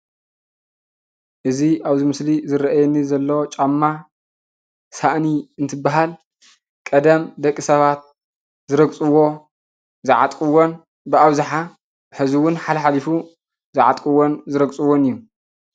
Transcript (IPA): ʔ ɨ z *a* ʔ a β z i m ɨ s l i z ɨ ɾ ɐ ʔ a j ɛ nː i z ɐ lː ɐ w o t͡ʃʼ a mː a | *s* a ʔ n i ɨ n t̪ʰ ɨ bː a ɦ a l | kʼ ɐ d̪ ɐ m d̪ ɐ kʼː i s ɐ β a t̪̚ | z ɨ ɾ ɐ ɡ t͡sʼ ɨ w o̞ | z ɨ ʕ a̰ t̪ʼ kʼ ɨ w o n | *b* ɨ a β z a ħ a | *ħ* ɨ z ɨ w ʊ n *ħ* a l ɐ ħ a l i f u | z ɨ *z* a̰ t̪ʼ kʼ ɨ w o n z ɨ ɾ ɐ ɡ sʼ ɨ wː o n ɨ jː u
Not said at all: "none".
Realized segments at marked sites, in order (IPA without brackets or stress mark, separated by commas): i, s, b, ħ, ħ, ʕ